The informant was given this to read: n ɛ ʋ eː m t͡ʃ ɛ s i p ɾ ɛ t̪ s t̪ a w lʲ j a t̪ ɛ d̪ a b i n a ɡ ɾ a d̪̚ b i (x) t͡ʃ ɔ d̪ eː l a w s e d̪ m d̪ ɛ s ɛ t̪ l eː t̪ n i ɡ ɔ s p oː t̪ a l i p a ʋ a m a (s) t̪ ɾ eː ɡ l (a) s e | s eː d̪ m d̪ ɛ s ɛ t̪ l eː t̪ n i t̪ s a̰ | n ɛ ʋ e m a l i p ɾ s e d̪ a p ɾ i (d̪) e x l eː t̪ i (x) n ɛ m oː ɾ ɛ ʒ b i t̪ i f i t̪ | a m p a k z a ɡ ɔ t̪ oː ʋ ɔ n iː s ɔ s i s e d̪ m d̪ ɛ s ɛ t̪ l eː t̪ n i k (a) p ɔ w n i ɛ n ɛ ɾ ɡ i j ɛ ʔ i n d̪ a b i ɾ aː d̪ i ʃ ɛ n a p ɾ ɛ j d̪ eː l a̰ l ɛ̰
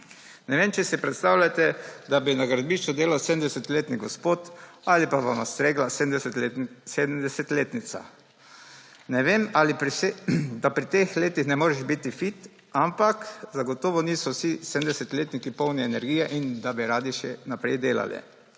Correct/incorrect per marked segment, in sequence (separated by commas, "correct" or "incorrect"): incorrect, correct, correct, incorrect, correct, incorrect